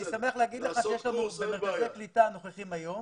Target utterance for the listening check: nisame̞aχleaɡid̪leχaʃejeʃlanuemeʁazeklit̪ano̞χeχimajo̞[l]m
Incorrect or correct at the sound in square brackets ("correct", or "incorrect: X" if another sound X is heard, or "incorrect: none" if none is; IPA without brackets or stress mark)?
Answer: incorrect: none